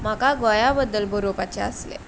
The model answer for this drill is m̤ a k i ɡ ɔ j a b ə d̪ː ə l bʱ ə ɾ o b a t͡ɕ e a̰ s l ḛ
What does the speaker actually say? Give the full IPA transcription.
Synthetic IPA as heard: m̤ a k a ɡ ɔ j a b ə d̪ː ə l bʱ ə ɾ o p a t͡ɕ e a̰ s l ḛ